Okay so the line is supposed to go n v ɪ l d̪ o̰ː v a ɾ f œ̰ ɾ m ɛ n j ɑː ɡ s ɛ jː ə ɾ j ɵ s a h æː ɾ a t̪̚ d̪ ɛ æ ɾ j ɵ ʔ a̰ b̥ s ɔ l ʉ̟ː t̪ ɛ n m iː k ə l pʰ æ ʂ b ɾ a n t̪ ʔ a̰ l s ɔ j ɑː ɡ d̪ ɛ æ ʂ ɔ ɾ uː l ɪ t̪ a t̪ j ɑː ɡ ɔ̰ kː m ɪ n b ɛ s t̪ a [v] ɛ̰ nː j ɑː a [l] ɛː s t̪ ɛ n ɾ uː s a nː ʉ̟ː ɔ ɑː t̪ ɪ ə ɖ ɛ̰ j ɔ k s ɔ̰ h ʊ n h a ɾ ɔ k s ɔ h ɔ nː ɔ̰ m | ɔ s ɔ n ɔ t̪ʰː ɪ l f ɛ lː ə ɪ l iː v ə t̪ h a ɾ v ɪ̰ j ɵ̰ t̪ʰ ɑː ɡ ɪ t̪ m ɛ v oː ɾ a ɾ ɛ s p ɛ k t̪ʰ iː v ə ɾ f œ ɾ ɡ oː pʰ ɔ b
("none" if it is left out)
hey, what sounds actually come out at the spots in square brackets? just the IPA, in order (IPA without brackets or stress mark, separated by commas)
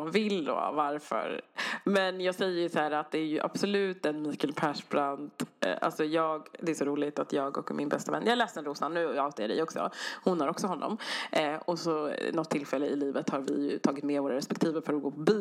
v, l